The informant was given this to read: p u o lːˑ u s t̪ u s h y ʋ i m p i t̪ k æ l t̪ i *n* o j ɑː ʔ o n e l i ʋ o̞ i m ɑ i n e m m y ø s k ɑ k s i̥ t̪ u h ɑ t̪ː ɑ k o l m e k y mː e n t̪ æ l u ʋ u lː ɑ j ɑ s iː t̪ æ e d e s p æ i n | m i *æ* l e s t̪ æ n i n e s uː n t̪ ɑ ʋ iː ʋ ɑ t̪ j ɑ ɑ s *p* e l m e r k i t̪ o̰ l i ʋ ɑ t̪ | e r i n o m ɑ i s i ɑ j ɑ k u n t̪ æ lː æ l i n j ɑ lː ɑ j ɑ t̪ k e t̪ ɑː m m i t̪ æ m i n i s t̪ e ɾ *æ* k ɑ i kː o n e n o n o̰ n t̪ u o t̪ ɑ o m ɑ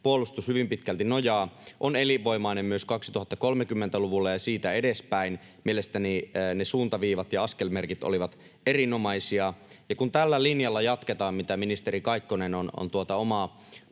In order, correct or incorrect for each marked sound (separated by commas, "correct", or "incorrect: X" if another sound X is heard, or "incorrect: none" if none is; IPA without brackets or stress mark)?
correct, incorrect: e, incorrect: k, incorrect: i